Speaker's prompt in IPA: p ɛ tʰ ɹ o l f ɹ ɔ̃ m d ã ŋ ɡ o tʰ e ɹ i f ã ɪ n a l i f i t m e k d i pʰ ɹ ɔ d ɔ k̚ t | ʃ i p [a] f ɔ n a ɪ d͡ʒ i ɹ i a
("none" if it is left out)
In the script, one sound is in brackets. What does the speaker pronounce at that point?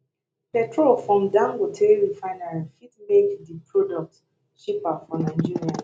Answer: a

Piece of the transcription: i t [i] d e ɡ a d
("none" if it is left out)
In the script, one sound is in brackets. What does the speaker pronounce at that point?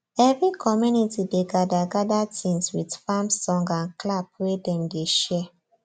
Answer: i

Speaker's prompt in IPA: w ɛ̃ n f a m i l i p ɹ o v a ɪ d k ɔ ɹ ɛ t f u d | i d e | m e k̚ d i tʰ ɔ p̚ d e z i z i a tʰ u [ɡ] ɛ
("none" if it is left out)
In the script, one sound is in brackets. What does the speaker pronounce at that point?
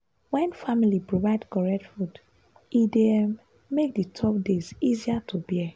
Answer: b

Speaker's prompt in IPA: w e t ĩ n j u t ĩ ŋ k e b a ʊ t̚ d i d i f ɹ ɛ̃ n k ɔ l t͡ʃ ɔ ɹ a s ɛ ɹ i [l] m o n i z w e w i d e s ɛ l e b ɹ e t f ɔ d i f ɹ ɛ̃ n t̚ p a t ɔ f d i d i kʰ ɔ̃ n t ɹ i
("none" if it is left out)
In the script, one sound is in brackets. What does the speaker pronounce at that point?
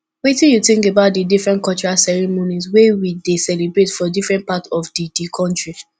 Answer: none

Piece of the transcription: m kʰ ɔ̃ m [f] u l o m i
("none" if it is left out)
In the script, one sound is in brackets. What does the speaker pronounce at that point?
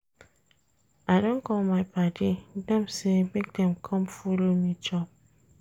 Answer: f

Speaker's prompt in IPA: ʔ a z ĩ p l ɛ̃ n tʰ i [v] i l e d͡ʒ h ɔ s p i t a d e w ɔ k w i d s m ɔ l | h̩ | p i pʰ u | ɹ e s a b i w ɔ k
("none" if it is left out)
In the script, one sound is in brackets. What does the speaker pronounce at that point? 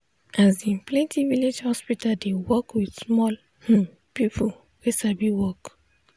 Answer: v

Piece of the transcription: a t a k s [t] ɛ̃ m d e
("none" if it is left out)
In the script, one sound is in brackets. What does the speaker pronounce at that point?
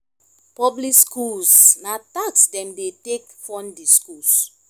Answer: d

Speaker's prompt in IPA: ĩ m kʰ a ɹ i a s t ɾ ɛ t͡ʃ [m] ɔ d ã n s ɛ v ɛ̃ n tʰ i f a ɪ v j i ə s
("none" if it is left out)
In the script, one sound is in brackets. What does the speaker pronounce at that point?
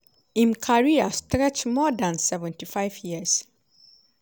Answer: m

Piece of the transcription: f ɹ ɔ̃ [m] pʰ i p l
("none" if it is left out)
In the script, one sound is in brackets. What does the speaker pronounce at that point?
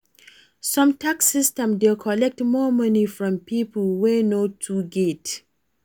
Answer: m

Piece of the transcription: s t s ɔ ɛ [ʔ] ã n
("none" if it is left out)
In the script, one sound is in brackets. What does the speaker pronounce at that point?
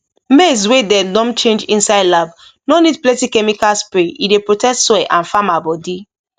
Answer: ʔ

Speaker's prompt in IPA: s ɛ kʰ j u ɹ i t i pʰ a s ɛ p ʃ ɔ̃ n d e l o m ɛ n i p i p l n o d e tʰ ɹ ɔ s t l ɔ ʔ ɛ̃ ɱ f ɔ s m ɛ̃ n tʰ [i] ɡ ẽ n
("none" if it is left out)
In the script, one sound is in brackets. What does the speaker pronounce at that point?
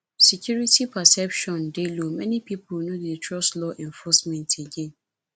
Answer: e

